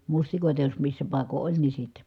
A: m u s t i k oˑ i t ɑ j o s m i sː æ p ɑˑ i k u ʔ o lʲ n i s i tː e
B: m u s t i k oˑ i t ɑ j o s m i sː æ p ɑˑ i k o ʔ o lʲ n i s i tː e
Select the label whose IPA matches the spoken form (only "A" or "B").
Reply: B